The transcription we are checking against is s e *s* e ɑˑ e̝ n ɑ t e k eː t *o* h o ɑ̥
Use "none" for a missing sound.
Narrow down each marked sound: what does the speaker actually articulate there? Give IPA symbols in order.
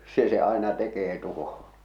s, u

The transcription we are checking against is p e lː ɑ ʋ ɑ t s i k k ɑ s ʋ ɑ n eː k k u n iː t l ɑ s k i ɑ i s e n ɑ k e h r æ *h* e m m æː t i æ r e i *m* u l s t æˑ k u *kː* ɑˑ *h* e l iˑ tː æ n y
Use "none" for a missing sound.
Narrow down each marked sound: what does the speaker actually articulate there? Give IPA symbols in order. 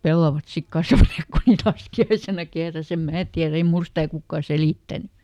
s, m, kː, s

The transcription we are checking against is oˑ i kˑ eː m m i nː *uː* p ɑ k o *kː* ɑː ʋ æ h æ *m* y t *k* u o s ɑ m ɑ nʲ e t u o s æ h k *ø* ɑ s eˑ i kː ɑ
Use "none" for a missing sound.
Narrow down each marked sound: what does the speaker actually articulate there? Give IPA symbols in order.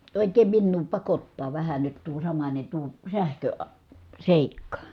uː, tː, n, t, ø

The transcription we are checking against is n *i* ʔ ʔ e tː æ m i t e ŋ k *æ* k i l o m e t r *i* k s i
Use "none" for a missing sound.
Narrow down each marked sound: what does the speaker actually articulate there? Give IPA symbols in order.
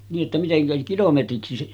iː, æ, i

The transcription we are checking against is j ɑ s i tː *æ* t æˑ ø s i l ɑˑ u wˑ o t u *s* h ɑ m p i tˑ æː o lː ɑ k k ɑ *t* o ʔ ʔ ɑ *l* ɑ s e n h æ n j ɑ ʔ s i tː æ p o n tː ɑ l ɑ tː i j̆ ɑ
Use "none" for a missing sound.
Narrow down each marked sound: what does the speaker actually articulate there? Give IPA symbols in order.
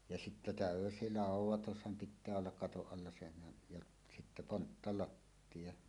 æ, s, t, lː

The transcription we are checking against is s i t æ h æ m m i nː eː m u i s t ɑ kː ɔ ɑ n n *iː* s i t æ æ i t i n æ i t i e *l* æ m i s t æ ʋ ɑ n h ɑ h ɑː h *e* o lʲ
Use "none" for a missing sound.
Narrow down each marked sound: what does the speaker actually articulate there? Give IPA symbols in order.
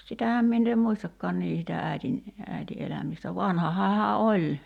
iː, l, æ

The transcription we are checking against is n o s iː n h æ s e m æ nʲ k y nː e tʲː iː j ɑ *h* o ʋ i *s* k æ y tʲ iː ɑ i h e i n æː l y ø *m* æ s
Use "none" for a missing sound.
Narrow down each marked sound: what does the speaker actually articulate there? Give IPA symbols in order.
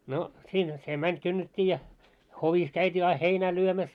h, s, m

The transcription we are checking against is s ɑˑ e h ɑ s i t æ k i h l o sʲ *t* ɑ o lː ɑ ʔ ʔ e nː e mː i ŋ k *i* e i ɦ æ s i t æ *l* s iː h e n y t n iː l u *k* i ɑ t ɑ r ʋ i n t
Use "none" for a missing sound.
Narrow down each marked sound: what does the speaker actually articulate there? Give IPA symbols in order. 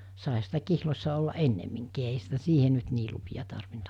s, iː, none, p

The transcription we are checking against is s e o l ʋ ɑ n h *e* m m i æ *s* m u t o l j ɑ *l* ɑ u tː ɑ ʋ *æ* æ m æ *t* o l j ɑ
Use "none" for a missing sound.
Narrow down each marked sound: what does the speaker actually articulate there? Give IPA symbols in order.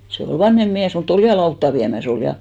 e, s, l, i, s

